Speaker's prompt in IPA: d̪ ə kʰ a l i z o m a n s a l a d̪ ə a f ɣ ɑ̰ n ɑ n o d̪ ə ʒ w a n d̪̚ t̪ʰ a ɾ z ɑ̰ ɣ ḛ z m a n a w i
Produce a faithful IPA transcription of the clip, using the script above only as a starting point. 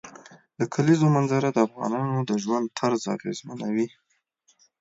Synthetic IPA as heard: d̪ ə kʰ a l i z o m a n z a ɾ a d̪ ə a f ɣ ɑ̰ n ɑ n o d̪ ə ʒ w a n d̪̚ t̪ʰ a ɾ z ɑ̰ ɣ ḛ z m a n a w i